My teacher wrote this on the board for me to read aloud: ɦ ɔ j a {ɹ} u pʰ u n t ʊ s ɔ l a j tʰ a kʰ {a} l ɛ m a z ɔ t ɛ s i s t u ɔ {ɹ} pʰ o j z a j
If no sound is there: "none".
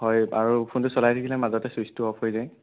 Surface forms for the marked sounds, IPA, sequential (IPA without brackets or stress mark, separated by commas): ɹ, i, none